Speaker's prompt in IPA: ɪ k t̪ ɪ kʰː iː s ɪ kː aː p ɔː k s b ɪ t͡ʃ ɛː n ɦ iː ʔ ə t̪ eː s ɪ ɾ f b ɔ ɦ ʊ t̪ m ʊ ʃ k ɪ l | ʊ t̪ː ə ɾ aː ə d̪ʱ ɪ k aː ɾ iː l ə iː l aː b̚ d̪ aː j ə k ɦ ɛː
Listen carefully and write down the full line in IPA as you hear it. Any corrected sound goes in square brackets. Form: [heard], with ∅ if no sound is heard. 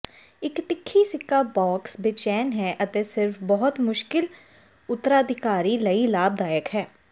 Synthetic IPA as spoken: ɪ k t̪ ɪ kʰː iː s ɪ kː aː [b] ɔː k s b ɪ t͡ʃ ɛː n ɦ [ɛː] ʔ ə t̪ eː s ɪ ɾ f b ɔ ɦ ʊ t̪ m ʊ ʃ k ɪ l | ʊ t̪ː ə ɾ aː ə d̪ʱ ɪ k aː ɾ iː l ə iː l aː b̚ d̪ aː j ə k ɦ ɛː

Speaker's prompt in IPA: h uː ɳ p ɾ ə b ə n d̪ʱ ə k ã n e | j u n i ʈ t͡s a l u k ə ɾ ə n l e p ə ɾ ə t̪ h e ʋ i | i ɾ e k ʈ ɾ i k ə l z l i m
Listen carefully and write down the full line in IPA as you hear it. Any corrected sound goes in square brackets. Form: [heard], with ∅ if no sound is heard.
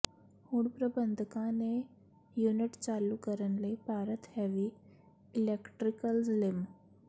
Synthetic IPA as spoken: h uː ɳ p ɾ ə b ə n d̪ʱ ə k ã n e | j u n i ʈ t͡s a l u k ə ɾ ə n l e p [a] ɾ ə t̪ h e ʋ i | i [l] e k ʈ ɾ i k ə l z l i m

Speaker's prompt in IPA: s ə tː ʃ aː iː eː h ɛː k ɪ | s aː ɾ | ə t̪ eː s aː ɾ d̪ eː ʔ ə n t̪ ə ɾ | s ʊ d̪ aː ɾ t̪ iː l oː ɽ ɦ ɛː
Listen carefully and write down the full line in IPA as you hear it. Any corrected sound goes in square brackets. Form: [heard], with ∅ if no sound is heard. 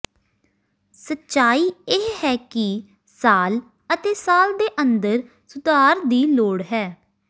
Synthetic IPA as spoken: s ə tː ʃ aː iː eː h ɛː k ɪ | s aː [l] | ə t̪ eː s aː [l] d̪ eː ʔ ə n [d̪] ə ɾ | s ʊ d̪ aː ɾ [d̪] iː l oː ɽ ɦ ɛː

